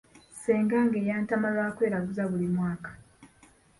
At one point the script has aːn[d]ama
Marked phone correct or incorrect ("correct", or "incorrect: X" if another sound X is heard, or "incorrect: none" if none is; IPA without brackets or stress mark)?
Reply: incorrect: t